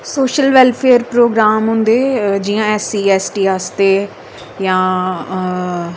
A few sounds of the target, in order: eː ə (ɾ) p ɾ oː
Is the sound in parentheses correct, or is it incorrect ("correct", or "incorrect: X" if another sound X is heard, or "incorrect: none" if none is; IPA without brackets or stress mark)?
correct